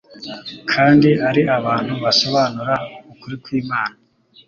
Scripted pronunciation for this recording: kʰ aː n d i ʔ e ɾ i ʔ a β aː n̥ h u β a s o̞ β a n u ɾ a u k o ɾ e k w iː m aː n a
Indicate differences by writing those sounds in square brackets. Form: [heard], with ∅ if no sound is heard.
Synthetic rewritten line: kʰ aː n d i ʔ [a] ɾ i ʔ a β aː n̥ h u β a s o̞ β a n u ɾ a u k [u] ɾ [i] k w iː m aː n a